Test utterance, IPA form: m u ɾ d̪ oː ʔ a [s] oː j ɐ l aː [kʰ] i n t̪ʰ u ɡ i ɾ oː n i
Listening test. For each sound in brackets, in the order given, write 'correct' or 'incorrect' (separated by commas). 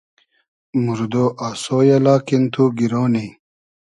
correct, incorrect